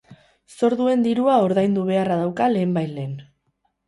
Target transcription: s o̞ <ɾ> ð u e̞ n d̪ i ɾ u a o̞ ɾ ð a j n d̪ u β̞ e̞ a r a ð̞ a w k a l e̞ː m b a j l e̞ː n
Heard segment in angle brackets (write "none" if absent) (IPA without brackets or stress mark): ɾ